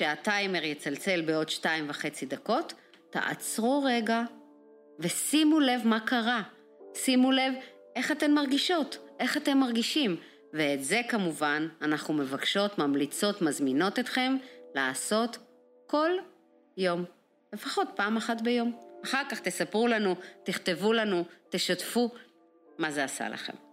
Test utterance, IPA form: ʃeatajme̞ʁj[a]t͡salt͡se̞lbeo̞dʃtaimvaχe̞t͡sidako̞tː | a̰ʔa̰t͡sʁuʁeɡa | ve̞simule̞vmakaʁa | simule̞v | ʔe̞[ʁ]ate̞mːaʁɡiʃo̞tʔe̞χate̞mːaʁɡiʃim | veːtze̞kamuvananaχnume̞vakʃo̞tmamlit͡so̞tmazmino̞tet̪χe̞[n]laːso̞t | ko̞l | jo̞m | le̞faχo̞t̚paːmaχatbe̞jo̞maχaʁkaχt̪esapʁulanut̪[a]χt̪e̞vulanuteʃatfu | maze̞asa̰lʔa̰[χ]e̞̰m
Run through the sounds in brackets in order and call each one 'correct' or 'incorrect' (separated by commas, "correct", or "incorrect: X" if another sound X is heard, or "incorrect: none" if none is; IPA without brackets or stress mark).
incorrect: e, incorrect: χ, incorrect: m, incorrect: i, correct